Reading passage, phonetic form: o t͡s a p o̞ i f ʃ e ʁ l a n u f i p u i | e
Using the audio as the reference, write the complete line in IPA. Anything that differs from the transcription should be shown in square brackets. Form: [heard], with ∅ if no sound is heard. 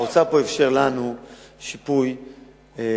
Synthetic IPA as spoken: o t͡s a p o̞ [e] f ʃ e ʁ l a n u [ʃ] i p u [j] | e